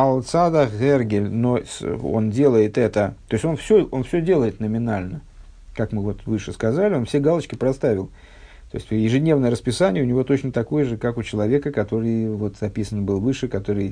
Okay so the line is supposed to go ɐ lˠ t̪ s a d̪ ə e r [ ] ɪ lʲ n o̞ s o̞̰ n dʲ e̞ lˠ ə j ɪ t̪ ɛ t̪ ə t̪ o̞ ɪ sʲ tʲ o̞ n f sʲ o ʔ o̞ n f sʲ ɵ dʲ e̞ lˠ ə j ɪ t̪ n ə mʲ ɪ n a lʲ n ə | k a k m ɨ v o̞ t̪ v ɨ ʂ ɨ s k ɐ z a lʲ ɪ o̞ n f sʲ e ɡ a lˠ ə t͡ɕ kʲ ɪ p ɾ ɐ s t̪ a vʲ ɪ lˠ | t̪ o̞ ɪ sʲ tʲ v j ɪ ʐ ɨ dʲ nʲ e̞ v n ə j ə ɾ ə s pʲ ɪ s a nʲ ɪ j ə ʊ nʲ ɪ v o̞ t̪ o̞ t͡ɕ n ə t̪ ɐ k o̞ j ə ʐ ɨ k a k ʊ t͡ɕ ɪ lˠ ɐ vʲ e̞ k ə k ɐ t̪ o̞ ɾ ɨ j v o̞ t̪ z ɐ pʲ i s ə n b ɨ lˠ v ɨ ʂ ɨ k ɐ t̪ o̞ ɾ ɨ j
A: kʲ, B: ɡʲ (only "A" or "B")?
B